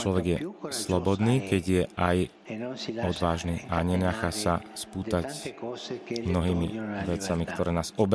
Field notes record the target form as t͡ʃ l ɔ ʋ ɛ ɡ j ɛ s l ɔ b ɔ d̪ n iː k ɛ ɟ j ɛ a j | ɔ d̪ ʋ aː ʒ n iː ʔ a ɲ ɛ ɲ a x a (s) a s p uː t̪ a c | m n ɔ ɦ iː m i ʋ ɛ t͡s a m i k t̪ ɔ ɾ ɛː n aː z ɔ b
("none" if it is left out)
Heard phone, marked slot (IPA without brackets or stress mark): s